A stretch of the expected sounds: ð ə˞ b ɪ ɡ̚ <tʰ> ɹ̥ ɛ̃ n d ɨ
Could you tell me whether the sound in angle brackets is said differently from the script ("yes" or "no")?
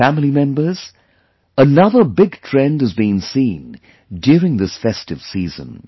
no